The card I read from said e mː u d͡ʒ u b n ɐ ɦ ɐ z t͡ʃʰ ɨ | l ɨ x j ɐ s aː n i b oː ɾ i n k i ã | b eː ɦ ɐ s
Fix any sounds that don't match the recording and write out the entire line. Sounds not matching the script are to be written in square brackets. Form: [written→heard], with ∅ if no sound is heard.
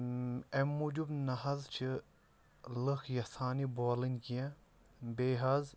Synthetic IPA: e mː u d͡ʒ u b n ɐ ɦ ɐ z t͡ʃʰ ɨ | l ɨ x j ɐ s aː n i b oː [ɾ→l] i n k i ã | b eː ɦ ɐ [s→z]